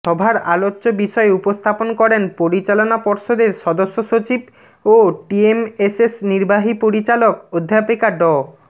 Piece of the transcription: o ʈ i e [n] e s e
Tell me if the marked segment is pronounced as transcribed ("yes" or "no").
no